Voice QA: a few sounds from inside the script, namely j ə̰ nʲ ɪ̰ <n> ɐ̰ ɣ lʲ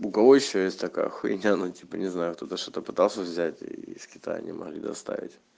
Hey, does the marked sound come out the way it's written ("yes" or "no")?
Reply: no